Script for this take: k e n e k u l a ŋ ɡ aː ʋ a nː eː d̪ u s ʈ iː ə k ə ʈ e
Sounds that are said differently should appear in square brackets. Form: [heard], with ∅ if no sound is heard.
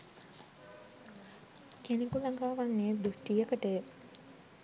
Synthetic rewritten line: k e n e k u l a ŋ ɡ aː ʋ a nː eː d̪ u s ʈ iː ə k ə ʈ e